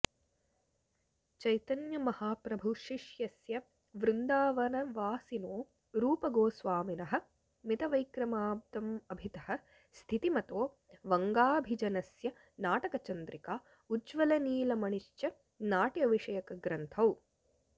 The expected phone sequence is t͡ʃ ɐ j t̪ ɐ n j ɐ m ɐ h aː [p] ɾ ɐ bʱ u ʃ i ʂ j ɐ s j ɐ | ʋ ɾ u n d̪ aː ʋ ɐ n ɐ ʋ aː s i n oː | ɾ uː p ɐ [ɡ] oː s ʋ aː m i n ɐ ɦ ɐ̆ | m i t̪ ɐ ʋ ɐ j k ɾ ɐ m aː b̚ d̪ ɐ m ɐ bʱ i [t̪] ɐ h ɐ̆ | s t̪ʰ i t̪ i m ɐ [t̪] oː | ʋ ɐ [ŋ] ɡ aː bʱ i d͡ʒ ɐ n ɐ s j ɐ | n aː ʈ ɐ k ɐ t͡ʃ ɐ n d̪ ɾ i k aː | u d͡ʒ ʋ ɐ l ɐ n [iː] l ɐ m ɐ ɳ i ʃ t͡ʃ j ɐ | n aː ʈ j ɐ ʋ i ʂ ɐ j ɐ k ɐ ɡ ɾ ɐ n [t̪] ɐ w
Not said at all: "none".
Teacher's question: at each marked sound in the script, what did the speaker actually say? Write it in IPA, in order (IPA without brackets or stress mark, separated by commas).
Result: p, ɡ, t̪, t̪, ŋ, iː, t̪ʰ